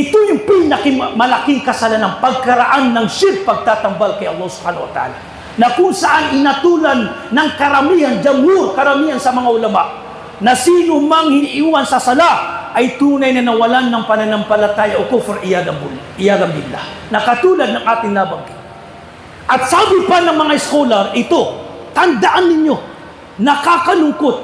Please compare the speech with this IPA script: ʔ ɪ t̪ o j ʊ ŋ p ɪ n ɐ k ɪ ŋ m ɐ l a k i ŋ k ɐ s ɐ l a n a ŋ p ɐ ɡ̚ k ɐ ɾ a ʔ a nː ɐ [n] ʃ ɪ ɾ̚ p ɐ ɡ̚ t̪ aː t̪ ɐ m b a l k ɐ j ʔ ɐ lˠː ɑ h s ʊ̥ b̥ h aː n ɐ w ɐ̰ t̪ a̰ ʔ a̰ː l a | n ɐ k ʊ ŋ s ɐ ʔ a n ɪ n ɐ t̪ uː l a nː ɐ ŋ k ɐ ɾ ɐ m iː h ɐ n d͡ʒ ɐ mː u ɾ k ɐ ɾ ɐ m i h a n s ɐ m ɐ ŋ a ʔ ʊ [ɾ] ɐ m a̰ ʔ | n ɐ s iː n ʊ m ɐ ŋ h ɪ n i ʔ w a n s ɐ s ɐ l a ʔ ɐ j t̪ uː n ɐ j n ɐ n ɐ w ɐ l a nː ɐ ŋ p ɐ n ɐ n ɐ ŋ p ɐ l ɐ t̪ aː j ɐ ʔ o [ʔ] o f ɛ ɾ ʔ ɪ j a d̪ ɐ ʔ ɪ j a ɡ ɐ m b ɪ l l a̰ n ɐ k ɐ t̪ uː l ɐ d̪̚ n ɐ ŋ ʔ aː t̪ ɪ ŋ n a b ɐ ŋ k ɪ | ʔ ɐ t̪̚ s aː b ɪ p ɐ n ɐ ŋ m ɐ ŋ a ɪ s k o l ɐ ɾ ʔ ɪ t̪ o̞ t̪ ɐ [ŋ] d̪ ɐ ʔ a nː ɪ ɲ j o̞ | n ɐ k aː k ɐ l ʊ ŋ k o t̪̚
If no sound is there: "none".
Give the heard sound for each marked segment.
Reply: ŋ, l, k, n

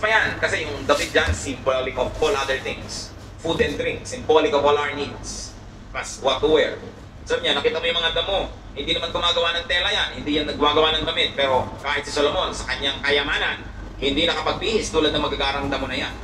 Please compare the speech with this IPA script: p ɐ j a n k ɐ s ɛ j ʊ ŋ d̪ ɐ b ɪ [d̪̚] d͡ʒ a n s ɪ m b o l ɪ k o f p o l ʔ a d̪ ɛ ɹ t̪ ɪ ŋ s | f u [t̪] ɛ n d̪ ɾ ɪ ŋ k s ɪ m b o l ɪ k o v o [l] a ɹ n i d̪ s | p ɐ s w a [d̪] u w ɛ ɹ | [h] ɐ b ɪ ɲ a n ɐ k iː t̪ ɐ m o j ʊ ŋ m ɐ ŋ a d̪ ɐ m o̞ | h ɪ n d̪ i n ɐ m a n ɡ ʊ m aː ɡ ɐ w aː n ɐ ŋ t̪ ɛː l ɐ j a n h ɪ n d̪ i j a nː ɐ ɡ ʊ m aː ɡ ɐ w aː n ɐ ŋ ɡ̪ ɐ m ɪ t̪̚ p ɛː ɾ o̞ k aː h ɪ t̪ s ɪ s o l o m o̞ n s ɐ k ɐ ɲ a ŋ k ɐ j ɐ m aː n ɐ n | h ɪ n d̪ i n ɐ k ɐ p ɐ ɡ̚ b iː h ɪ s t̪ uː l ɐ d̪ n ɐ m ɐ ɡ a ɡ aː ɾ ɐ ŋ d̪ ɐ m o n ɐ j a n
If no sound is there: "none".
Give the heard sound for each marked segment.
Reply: t̪̚, d̪, l, t̪, s

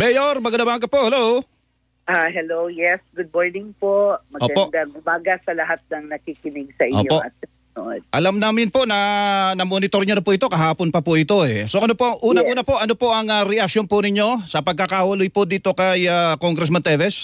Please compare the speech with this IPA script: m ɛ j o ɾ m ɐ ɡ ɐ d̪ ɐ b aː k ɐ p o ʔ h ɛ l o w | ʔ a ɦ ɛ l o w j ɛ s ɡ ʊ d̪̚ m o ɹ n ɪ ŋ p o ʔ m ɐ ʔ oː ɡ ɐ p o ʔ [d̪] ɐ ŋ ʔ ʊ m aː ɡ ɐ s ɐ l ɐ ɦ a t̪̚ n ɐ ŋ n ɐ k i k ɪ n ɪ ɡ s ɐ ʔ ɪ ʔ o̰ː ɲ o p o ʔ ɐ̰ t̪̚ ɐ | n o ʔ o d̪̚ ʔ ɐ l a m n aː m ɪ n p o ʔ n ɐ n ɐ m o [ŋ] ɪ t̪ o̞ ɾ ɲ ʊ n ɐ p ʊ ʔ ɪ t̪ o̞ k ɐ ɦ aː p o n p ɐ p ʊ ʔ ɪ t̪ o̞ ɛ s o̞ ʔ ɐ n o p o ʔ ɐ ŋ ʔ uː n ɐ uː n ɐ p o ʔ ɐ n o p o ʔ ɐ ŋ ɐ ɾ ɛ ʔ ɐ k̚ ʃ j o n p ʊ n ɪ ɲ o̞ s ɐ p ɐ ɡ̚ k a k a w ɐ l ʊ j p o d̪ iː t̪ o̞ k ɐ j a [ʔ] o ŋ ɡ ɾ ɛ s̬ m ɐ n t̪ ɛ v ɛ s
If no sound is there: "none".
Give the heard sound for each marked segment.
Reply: d̪, n, k

